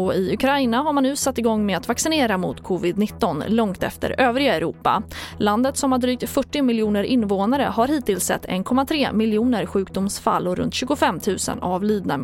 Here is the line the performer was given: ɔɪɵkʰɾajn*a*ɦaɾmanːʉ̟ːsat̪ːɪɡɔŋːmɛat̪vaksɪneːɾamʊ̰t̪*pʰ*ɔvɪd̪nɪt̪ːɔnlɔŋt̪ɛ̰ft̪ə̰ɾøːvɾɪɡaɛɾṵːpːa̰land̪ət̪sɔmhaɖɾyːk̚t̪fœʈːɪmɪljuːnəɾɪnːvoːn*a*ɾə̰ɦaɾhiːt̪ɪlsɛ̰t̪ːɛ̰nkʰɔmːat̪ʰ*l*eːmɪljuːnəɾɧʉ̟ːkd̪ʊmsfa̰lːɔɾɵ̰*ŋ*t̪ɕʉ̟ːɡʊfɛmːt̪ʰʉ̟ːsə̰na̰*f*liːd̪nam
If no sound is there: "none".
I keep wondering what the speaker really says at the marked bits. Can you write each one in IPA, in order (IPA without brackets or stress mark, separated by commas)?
a, kʰ, a, ɾ, n, v